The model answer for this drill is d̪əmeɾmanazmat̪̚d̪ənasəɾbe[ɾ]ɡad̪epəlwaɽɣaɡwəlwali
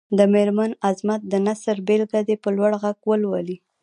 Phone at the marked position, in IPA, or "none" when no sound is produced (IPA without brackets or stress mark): l